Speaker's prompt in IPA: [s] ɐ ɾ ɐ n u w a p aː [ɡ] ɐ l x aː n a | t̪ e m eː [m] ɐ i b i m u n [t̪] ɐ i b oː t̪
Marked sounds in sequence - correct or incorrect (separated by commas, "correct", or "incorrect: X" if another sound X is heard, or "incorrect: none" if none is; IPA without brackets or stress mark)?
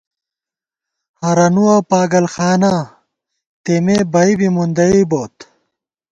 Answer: incorrect: h, correct, incorrect: b, incorrect: d̪